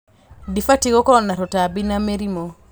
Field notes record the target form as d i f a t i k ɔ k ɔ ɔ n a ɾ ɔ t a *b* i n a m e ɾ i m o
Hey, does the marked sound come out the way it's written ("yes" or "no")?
yes